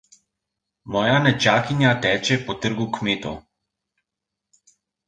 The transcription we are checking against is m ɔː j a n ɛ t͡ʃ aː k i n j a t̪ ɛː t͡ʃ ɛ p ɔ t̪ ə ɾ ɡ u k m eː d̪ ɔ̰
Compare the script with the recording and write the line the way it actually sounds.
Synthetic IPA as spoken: m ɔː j a n ɛ t͡ʃ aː k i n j a t̪ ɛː t͡ʃ ɛ p ɔ t̪ ə ɾ ɡ u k m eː t̪ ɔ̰